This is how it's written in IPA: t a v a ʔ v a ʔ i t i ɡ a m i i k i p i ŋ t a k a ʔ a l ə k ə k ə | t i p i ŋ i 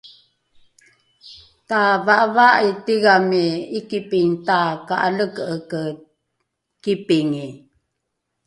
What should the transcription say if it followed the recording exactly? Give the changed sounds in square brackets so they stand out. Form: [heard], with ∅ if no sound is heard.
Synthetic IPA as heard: t a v a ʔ v a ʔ i t i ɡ a m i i k i p i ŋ t a k a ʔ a l ə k ə k ə | [k] i p i ŋ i